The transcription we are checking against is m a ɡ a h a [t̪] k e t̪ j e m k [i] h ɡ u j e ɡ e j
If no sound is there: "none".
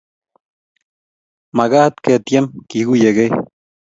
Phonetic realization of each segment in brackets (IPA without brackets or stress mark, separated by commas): t̪, i